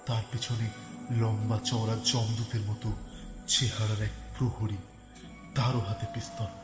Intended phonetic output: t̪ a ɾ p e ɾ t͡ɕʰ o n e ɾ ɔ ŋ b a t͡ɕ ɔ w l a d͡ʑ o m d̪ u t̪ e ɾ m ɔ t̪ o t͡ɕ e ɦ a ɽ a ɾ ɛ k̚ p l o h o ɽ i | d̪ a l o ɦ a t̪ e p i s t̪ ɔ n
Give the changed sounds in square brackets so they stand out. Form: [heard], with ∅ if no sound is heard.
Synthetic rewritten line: t̪ a ɾ p e [∅] t͡ɕʰ o n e [l] ɔ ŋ b a t͡ɕ ɔ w [ɾ] a d͡ʑ [ɔ] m d̪ u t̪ e ɾ m ɔ t̪ o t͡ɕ e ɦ a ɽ a ɾ ɛ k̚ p [ɾ] o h o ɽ i | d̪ a [ɾ] o ɦ a t̪ e p i s t̪ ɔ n